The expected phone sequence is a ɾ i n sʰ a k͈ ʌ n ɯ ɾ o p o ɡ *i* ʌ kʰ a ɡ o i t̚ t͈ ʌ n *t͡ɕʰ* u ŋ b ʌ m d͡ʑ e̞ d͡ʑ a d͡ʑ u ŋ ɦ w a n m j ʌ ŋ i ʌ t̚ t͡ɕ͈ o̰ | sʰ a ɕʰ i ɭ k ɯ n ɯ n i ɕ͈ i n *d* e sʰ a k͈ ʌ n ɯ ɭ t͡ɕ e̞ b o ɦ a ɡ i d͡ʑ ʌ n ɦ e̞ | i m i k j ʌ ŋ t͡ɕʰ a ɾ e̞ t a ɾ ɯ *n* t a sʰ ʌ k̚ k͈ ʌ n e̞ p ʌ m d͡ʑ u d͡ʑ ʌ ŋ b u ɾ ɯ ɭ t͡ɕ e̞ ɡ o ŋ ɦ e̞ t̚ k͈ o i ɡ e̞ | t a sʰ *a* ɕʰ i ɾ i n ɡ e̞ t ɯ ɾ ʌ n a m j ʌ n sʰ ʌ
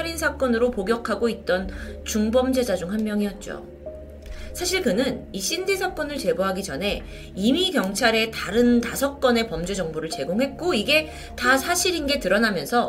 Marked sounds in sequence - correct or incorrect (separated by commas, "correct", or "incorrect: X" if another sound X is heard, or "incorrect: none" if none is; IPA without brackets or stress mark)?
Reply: incorrect: j, incorrect: t͡ɕ, correct, correct, correct